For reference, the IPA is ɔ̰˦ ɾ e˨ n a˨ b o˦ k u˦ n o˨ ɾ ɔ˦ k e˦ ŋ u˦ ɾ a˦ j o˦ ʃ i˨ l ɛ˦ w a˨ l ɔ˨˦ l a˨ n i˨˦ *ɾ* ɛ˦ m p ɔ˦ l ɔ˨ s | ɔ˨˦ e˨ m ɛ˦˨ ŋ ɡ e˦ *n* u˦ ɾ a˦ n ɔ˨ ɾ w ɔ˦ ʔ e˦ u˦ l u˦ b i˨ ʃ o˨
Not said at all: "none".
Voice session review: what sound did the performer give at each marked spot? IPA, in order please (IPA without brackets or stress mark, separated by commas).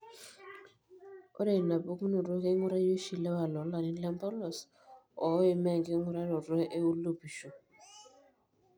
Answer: l, ŋ